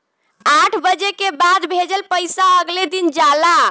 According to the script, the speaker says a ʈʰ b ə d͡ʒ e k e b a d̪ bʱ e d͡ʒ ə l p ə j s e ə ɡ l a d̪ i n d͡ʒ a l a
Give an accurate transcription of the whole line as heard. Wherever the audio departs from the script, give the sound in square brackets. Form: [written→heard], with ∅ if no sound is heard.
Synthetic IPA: a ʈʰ b ə d͡ʒ e k e b a d̪ bʱ e d͡ʒ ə l p ə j s [e→a] ə ɡ l [a→e] d̪ i n d͡ʒ a l a